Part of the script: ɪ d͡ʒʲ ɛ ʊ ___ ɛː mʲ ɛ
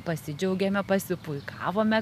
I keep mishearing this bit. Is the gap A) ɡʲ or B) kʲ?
A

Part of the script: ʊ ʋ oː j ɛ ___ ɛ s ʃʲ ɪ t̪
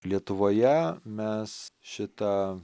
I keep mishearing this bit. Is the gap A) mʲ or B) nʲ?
A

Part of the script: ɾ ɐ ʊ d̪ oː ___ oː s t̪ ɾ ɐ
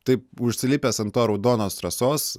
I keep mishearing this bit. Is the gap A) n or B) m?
A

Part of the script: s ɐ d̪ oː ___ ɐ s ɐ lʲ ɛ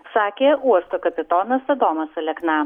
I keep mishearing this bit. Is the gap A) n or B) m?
B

